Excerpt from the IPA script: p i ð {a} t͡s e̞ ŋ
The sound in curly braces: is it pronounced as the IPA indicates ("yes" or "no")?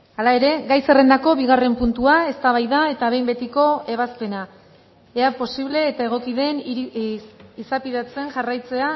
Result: yes